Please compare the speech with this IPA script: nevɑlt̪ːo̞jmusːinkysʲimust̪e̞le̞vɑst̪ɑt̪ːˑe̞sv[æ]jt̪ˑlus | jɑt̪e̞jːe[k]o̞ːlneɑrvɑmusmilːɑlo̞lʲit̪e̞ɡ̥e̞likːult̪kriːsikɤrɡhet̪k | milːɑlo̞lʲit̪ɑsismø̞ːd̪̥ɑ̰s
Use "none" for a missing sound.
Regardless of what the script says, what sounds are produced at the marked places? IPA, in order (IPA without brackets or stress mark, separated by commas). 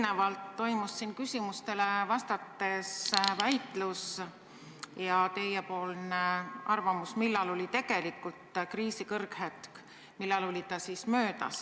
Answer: æ, p